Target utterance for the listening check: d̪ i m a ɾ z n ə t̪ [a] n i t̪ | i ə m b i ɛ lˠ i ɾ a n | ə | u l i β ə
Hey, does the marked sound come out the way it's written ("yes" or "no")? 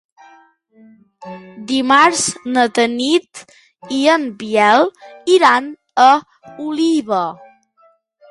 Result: no